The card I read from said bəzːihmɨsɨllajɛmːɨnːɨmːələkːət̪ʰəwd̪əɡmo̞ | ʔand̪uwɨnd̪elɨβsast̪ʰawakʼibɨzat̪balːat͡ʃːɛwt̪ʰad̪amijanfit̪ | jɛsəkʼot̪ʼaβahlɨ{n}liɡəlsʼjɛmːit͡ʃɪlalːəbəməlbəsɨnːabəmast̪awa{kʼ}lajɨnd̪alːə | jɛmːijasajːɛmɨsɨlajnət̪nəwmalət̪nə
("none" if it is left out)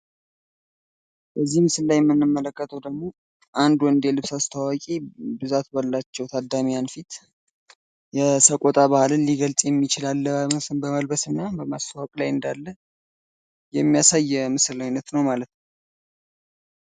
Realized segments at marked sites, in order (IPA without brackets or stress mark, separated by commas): n, kʼ